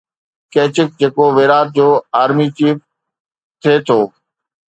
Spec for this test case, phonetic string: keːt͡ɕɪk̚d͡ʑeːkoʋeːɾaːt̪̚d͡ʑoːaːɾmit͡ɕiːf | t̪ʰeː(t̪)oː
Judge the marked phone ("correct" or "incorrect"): incorrect